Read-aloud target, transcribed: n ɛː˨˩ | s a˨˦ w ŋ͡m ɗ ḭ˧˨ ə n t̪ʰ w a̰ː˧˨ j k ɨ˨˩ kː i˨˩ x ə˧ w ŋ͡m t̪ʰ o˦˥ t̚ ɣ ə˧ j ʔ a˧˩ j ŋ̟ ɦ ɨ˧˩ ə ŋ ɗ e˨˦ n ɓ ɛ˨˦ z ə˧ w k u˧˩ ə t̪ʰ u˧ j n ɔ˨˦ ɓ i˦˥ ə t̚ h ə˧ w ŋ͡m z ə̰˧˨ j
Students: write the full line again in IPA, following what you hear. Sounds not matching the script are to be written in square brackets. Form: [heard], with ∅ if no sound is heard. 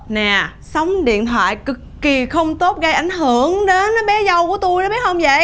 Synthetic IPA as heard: n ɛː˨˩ | s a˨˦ w ŋ͡m ɗ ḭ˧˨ ə n t̪ʰ w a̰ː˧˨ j k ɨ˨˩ kː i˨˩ x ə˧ w ŋ͡m [t̪] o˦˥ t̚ ɣ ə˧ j ʔ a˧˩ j ŋ̟ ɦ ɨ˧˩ ə ŋ ɗ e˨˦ n ɓ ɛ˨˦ z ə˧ w k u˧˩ ə [t̪] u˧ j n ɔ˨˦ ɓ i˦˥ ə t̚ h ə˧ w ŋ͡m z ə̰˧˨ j